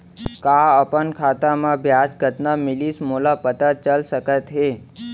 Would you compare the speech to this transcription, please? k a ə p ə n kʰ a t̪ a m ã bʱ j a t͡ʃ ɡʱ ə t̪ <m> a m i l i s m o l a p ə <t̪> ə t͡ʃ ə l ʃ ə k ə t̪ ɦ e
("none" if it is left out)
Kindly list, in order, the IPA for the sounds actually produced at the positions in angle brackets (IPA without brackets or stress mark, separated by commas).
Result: n, t̪